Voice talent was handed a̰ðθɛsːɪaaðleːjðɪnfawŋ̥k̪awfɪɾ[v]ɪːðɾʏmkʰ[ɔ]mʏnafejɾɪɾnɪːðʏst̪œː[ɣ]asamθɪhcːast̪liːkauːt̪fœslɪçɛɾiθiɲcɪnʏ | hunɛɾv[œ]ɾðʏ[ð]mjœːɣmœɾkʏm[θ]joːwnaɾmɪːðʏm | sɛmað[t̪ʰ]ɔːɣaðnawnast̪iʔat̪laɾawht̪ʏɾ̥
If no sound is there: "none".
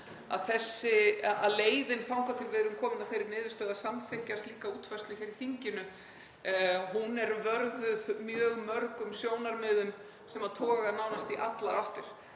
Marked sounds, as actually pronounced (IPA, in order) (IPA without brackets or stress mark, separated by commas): v, ɔː, ð, œ, ð, s, t̪ʰ